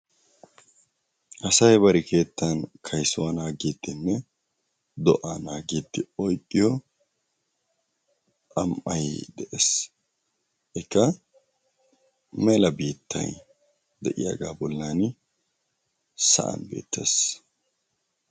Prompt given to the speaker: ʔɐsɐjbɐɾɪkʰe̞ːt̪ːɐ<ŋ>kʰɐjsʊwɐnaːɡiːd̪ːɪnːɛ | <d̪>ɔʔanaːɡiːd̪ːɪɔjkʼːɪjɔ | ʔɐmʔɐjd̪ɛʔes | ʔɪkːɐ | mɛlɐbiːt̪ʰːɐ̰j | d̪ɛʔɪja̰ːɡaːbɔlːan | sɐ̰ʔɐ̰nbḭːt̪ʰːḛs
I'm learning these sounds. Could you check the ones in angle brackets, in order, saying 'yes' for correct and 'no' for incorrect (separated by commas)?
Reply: no, yes